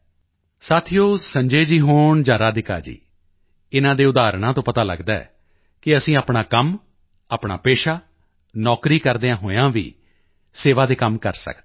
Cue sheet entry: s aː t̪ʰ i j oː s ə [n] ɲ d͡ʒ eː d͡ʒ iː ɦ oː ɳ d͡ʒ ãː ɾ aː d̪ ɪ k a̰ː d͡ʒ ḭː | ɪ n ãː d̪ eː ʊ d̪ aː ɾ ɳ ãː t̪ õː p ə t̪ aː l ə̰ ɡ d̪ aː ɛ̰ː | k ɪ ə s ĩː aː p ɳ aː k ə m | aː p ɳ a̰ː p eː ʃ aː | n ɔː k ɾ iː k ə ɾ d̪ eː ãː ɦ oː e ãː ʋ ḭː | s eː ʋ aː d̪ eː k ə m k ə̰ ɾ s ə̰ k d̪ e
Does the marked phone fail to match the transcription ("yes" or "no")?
yes